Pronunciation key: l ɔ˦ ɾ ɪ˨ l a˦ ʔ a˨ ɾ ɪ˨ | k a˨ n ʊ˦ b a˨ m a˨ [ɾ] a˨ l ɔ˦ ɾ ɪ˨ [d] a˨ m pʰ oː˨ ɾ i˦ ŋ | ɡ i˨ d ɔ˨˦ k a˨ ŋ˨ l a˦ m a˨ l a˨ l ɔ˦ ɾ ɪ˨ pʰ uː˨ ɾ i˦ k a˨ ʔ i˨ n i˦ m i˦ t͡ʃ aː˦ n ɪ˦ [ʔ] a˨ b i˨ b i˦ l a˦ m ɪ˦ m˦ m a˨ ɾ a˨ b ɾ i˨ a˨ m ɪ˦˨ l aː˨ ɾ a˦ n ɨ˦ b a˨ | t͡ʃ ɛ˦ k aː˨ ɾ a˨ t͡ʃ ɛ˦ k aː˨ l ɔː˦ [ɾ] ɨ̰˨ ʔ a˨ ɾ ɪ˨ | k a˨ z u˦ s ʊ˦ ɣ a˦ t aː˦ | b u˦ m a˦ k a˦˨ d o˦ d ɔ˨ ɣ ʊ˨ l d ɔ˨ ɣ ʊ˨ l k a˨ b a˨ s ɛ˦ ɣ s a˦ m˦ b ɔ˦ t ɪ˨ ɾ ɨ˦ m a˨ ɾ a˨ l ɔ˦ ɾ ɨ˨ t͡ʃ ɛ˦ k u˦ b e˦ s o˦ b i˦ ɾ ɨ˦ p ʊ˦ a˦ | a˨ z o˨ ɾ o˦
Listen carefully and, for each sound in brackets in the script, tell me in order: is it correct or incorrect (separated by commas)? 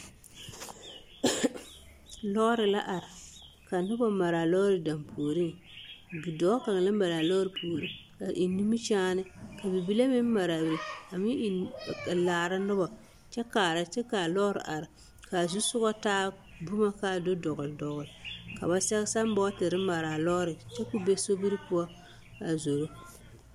correct, correct, incorrect, correct